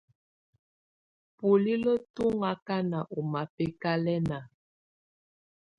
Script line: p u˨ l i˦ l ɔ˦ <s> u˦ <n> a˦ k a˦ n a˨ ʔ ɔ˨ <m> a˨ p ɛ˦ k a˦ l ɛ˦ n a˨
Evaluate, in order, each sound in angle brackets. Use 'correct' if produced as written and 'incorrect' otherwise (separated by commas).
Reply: incorrect, incorrect, correct